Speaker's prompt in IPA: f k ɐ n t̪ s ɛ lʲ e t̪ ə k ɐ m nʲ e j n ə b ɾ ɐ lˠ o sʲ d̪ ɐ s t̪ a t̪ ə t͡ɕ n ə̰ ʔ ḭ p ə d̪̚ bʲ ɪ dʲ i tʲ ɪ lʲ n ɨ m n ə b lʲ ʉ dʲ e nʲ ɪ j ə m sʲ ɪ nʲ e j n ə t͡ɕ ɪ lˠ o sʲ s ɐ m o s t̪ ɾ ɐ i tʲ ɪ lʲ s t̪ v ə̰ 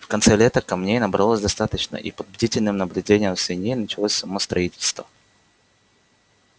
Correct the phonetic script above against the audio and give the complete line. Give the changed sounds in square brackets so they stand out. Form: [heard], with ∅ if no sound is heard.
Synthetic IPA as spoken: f k ɐ n t̪ s ɛ lʲ e t̪ ə k ɐ m nʲ e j n ə b ɾ ɐ lˠ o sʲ d̪ ɐ s t̪ a t̪ ə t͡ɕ n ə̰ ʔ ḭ p ə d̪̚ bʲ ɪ dʲ i tʲ ɪ lʲ n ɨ m n ə b lʲ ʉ dʲ e nʲ ɪ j ə m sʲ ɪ nʲ e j n ə t͡ɕ ɪ lˠ o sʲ s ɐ m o s t̪ ɾ ɐ i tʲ ɪ lʲ s t̪ v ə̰

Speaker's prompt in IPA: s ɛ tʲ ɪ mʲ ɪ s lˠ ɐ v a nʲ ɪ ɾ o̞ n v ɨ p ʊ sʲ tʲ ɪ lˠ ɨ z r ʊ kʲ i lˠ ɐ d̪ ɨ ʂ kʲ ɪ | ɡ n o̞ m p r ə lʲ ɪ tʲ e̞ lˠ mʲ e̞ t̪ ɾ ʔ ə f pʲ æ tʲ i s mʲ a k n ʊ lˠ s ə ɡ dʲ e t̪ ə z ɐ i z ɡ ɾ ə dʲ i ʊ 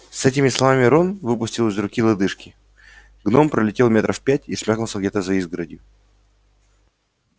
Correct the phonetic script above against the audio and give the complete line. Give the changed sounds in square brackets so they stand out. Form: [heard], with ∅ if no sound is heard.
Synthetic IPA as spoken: s ɛ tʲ ɪ mʲ ɪ s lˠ ɐ v a [mʲ] ɪ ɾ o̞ n v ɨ p ʊ sʲ tʲ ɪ lˠ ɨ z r ʊ kʲ i lˠ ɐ d̪ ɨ ʂ kʲ ɪ | ɡ n o̞ m p [ɾ] ə lʲ ɪ tʲ e̞ lˠ mʲ e̞ t̪ ɾ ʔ ə f pʲ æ tʲ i s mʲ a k n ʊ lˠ s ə ɡ dʲ e t̪ ə z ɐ i z ɡ ɾ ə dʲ [j] ʊ

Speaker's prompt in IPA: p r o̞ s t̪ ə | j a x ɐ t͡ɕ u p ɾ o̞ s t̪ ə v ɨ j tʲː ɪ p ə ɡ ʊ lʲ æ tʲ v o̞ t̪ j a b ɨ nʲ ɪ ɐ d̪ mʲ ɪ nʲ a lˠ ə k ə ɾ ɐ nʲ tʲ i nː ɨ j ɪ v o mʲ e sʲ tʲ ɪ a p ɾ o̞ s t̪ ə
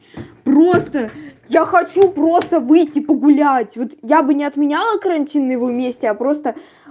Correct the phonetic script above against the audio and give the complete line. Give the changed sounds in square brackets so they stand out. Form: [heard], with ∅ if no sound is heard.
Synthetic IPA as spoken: p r o̞ s t̪ ə | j a x ɐ t͡ɕ u p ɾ o̞ s t̪ ə v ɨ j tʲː ɪ p ə ɡ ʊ lʲ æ tʲ v o̞ t̪ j a b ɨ nʲ ɪ ɐ [t̪] mʲ ɪ nʲ a lˠ ə k ə ɾ ɐ nʲ tʲ i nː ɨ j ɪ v o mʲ e sʲ tʲ ɪ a p ɾ o̞ s t̪ ə

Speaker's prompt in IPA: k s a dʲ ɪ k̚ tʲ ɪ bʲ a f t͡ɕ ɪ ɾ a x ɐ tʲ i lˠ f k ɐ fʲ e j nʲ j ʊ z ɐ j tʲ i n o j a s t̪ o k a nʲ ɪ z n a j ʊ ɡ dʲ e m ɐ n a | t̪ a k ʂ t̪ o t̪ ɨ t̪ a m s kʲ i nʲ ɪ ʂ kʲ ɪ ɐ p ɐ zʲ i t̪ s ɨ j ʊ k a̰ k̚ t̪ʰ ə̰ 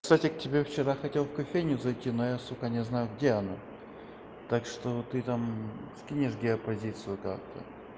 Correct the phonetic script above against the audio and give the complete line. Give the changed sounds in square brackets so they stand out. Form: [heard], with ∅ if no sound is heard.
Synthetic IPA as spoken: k s a [tʲ] ɪ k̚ tʲ ɪ bʲ [e] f t͡ɕ ɪ ɾ a x ɐ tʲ [e] lˠ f k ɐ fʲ e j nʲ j ʊ z ɐ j tʲ i n o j a s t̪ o k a nʲ ɪ z n a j ʊ ɡ dʲ e [∅] ɐ n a | t̪ a k ʂ t̪ o t̪ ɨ t̪ a m s kʲ i nʲ ɪ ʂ [ɡʲ] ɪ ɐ p ɐ zʲ i t̪ s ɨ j ʊ k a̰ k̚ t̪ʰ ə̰

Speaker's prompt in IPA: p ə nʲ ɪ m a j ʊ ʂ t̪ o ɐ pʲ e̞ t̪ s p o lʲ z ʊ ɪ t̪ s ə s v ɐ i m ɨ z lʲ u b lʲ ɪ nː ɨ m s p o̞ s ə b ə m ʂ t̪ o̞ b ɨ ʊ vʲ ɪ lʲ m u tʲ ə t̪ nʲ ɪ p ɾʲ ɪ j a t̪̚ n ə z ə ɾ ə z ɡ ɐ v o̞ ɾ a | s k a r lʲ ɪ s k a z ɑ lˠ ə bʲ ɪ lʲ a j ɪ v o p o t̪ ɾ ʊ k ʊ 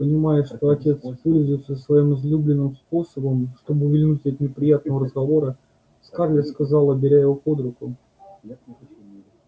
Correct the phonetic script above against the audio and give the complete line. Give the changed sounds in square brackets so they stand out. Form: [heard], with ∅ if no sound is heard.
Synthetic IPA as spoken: p ə nʲ ɪ m a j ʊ ʂ t̪ o ɐ [tʲ] e̞ t̪ s p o lʲ z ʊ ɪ t̪ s ə s v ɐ i m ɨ z lʲ u b lʲ ɪ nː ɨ m s p o̞ s ə b ə m ʂ t̪ o̞ b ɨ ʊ vʲ ɪ lʲ [n] u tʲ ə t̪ nʲ ɪ p ɾʲ ɪ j a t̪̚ n ə [v] ə ɾ ə z ɡ ɐ v o̞ ɾ [ə] | s k a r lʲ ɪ s k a z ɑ lˠ ə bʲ ɪ [ɾʲ] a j ɪ v o p o [d̪] ɾ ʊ k ʊ

